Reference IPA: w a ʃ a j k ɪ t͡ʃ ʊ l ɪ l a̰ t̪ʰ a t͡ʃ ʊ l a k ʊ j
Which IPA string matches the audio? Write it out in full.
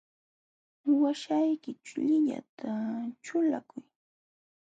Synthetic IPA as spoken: w a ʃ a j k ɪ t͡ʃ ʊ ʎ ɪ ʎ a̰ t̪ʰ a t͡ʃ ʊ l a k ʊ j